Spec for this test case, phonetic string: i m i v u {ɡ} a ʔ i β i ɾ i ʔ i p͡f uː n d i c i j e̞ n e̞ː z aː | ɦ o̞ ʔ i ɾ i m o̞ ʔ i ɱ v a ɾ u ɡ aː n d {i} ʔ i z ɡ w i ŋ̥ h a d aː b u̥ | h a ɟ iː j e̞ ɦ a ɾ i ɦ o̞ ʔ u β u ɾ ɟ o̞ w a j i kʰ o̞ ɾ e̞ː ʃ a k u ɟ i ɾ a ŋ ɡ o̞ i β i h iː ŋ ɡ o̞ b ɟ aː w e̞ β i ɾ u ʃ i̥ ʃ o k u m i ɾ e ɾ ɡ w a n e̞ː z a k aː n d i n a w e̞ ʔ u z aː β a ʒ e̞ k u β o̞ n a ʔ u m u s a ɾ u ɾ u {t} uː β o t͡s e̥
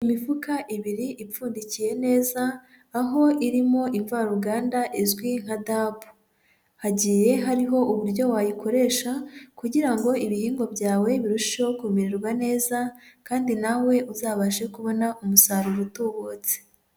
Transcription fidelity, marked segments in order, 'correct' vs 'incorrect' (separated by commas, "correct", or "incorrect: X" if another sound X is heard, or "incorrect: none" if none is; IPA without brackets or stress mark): incorrect: k, incorrect: a, correct